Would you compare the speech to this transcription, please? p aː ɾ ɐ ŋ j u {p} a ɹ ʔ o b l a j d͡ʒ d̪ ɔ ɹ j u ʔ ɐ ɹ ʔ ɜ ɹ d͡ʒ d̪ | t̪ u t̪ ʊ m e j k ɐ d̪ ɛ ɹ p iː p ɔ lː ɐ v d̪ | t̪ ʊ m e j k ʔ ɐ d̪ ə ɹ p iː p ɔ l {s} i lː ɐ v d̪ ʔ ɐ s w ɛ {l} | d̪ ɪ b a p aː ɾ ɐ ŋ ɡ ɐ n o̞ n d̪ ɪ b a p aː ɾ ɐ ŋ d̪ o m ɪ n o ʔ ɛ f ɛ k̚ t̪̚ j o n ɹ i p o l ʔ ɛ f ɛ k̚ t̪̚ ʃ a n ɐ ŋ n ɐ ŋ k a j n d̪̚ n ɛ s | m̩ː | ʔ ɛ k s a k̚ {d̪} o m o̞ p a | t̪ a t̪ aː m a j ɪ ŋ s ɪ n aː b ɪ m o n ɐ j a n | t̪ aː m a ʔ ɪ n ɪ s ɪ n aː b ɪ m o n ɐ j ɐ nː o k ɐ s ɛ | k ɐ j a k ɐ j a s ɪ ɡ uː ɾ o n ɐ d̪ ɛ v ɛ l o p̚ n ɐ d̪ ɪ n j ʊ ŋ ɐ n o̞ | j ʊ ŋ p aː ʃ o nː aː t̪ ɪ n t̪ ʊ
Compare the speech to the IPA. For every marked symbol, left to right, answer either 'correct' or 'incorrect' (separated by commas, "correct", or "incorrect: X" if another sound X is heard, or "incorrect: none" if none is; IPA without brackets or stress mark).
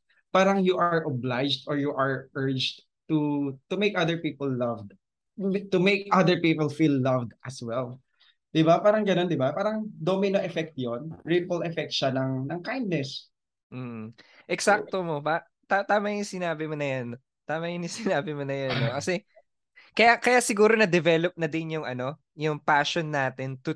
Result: incorrect: ʔ, incorrect: f, correct, incorrect: t̪